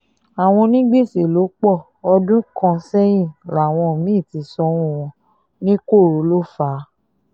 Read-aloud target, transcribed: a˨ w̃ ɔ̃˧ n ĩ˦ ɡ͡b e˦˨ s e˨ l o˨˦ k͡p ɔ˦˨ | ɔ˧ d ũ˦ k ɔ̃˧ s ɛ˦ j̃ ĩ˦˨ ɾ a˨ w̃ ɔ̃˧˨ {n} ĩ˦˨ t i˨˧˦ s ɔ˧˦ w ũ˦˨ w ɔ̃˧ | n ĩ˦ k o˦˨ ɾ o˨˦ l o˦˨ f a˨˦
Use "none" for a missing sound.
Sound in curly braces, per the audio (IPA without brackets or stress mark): m